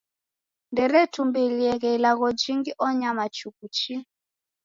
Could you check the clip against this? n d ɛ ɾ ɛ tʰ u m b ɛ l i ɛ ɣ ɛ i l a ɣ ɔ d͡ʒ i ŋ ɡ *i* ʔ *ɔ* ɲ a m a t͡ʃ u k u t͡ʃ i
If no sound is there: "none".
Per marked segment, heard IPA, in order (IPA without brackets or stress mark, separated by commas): i, ɔ